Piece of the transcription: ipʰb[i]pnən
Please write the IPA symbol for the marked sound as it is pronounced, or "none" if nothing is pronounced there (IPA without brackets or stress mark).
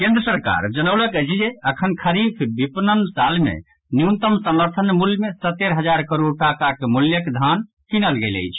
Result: i